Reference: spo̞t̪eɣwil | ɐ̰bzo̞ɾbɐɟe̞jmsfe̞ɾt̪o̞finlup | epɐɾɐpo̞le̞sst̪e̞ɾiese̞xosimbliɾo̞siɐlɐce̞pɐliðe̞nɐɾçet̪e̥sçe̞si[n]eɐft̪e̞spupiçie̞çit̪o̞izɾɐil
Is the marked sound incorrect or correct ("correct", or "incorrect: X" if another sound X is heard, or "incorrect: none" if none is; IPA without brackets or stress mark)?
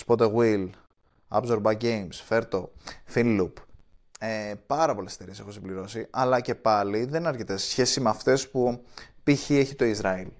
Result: incorrect: m